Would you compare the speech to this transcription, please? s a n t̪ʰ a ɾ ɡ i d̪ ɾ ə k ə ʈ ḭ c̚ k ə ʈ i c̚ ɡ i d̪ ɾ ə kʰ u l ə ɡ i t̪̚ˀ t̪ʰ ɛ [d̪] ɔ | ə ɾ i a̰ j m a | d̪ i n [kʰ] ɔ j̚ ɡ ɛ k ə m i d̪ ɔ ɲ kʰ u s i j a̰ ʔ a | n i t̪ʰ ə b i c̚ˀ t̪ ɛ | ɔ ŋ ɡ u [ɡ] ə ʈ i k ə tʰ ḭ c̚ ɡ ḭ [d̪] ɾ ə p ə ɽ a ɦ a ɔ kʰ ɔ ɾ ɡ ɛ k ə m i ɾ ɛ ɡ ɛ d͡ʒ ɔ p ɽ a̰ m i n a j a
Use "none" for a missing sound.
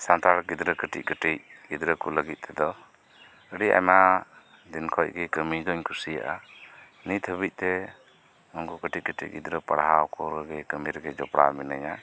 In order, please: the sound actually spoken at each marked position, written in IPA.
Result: d̪, kʰ, k, d̪

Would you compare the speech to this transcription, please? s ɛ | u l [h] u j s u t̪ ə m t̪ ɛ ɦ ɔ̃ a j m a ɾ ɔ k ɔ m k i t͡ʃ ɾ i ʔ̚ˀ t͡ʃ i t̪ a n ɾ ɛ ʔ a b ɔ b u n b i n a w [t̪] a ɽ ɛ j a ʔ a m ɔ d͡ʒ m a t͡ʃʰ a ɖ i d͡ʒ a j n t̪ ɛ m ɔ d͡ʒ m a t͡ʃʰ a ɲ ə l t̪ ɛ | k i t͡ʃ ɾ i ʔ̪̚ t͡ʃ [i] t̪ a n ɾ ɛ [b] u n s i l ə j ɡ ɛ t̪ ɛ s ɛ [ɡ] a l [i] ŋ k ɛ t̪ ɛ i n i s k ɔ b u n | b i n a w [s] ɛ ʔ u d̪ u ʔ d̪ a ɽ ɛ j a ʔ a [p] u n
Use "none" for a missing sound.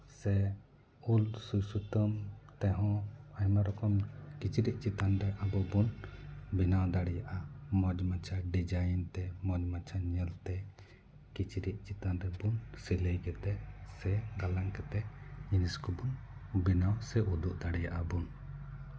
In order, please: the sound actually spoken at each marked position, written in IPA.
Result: s, d̪, i, b, ɡ, a, s, b

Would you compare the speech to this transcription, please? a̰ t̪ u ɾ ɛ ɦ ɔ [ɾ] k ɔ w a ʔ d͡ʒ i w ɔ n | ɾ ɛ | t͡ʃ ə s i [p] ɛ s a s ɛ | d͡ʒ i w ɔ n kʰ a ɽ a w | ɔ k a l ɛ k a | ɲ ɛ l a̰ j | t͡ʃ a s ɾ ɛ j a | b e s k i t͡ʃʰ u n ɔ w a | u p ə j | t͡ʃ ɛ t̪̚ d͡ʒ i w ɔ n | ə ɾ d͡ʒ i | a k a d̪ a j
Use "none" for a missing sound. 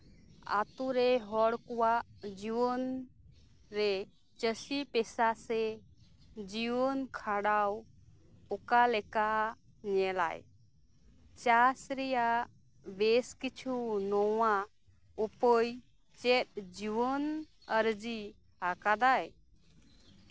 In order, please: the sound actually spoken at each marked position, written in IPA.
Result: ɽ, p

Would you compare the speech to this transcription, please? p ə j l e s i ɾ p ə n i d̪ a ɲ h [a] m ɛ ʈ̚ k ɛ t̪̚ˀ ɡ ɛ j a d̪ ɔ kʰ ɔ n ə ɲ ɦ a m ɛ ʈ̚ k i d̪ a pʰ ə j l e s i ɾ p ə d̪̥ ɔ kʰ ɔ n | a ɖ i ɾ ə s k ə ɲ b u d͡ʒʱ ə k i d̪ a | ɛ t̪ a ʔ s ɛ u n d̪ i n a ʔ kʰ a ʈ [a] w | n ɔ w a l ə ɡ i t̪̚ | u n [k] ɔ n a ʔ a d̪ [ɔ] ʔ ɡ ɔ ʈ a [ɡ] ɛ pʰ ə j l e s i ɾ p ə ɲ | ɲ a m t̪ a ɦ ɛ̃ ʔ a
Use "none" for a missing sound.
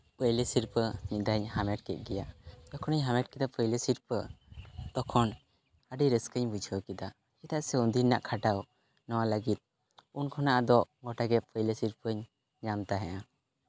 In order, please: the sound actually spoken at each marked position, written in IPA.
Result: a, a, kʰ, ɔ, ɡ

